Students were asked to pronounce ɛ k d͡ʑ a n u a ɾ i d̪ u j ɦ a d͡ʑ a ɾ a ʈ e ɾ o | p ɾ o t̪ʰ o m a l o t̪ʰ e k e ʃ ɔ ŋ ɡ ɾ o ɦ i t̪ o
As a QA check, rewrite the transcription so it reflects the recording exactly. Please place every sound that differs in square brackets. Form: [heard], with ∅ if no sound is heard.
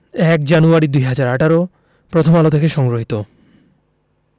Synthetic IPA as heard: ɛ k d͡ʑ a n u a ɾ i d̪ u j ɦ a d͡ʑ a ɾ a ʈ [a] ɾ o | p ɾ o t̪ʰ o m a l o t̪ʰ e k e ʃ ɔ ŋ ɡ ɾ o ɦ i t̪ o